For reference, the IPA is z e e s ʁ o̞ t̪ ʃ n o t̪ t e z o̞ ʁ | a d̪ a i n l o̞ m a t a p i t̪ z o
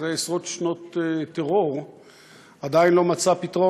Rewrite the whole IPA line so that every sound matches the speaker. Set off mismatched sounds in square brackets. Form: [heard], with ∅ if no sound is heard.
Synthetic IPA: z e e s ʁ o̞ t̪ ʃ n o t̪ t e [ʁ] o̞ ʁ | a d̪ a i n l o̞ m a [t͡s] a p i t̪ [ʁ] o

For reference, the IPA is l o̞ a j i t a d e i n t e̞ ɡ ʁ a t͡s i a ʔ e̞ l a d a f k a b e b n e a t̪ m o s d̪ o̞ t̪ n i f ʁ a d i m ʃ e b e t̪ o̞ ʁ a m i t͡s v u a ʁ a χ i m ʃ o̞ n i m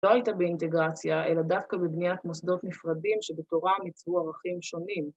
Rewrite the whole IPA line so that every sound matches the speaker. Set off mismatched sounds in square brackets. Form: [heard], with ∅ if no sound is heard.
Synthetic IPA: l o̞ a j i t a [b] e i n t e̞ ɡ ʁ a t͡s [j] a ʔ e̞ l a d a f k a b e b n [i] a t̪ m o s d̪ o̞ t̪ n i f ʁ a d i m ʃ e b e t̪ o̞ ʁ a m i t͡s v u a ʁ a χ i m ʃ o̞ n i m

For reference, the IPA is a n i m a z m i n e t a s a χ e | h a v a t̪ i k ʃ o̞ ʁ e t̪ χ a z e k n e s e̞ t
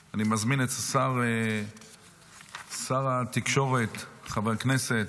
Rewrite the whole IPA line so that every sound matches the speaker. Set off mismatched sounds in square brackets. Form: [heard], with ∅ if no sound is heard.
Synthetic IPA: a n i m a z m i n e t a s a [ʁ] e | [s] a [ʁ] a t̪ i k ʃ o̞ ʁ e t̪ χ a [v] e k n e s e̞ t

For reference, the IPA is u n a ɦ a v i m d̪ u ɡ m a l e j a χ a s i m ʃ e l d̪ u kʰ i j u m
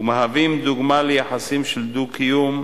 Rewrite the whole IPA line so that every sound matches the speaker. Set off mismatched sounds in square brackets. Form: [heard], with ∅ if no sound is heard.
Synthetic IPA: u [m] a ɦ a v i m d̪ u ɡ m a l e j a [ħ] a s i m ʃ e l d̪ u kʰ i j u m

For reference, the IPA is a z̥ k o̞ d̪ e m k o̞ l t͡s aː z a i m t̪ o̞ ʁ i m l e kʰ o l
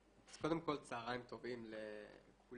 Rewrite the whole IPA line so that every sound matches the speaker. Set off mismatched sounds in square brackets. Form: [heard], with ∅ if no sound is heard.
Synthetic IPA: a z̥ k o̞ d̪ e m k o̞ l t͡s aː [ʁ] a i m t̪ o̞ [v] i m l e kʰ [u] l

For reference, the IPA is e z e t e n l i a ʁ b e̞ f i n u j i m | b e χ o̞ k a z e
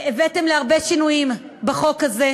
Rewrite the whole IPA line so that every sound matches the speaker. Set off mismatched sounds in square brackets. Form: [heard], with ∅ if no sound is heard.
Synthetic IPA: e [v] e t e [m] l [e] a ʁ b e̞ [ʃ] i n u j i m | b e χ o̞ k a z e

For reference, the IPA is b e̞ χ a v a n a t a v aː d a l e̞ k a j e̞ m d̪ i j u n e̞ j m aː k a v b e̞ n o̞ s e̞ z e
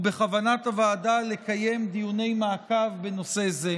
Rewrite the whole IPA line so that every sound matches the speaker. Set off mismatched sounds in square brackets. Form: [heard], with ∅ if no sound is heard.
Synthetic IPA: b e̞ χ a v a n a t a v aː d a l e̞ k a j e̞ m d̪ i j u n e̞ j m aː k a v b e̞ n o̞ s e̞ z e

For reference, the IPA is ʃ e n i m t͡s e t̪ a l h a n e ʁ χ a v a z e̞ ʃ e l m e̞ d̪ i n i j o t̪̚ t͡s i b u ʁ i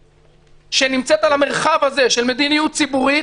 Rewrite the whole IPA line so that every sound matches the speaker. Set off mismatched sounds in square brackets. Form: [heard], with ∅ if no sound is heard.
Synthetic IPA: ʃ e n i m t͡s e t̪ a l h a [m] e ʁ χ a v a z e̞ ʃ e l m e̞ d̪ i n i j [u] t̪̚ t͡s i b u ʁ i

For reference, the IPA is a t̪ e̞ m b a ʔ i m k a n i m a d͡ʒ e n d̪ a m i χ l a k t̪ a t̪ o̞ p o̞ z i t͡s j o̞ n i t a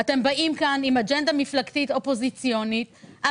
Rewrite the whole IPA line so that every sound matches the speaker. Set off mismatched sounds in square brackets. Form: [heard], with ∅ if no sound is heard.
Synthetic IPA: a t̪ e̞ m b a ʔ i m k a n i m a d͡ʒ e n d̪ a m i [f] l a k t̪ [i] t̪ o̞ p o̞ z i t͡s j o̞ n i t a

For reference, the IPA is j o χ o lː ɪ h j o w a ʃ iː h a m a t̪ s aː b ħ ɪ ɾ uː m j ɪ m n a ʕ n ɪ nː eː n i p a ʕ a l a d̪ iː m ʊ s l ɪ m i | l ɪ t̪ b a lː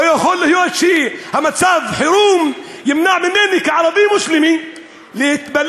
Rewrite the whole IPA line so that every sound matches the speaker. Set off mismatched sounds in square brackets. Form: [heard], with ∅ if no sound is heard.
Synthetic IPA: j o [x] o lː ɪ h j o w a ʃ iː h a m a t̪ s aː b ħ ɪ ɾ uː m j ɪ m n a ʕ [m] ɪ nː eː n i [k] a ʕ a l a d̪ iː m ʊ s l ɪ m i | l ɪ t̪ b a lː

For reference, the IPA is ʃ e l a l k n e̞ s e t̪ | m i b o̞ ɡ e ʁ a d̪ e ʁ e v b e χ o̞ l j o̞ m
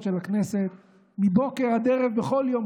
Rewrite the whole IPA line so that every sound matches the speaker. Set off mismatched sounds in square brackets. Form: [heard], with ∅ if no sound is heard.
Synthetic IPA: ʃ e l a [∅] k n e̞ s e t̪ | m i b o̞ [k] e ʁ a d̪ e ʁ e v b e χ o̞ l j o̞ m

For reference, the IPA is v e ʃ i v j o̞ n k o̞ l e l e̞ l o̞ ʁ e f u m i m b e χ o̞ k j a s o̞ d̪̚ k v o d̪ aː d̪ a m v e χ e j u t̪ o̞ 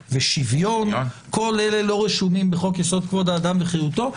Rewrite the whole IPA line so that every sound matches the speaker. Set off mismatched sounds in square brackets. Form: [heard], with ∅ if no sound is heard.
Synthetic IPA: v e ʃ i v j o̞ n k o̞ l e l e̞ l o̞ ʁ e [ʃ] u m i m b e χ o̞ k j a s o̞ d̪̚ k v o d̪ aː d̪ a m v e χ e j u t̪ o̞

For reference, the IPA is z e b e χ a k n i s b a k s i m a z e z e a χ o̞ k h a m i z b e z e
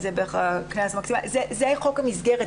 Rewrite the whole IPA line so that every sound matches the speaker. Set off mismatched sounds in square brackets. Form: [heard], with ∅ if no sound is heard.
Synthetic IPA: z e b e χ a k n [a] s [m] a k s i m a z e z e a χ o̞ k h a m i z [ɡ] e [ʁ] e

